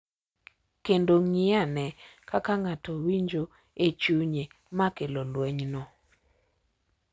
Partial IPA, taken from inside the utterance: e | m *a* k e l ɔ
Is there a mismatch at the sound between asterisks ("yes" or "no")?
no